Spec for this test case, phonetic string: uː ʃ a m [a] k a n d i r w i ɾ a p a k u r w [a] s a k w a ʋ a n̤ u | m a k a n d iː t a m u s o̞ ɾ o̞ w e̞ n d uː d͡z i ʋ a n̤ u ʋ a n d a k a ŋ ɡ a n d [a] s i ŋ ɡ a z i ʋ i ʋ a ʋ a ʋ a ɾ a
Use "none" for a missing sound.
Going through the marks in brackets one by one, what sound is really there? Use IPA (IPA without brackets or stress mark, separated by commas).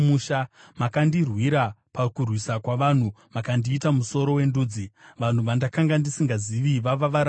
a, i, i